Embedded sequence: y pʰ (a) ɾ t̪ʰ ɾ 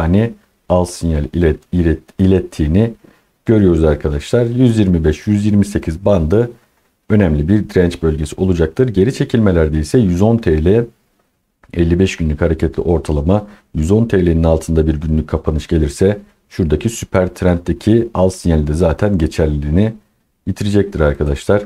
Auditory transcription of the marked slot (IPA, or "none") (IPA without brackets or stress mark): æ